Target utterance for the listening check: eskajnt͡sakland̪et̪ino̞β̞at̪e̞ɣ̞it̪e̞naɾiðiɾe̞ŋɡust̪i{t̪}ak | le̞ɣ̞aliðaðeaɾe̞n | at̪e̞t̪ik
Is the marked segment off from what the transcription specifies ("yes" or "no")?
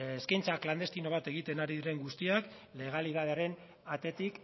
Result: yes